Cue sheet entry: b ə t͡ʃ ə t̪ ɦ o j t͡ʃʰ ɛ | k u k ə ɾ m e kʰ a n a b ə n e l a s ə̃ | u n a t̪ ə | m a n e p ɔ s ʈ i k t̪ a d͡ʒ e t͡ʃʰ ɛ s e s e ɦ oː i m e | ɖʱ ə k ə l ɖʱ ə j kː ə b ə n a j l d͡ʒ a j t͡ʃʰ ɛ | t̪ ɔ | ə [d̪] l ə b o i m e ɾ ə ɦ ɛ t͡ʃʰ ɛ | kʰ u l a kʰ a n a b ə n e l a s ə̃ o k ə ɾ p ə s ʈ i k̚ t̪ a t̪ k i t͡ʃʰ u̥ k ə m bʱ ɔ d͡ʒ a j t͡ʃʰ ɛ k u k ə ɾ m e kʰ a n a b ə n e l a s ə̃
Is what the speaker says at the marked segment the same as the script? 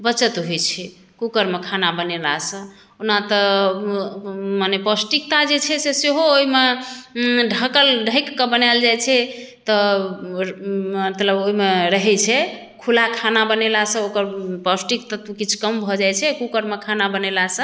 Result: no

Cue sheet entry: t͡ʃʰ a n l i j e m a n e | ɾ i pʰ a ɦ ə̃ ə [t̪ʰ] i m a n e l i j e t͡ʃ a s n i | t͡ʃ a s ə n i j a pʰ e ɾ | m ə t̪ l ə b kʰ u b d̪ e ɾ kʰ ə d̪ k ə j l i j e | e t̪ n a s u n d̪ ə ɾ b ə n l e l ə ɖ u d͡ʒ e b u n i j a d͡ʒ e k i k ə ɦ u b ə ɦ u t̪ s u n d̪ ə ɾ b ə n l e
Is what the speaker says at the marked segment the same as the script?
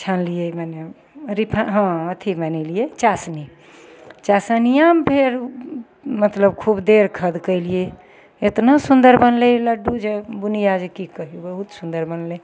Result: yes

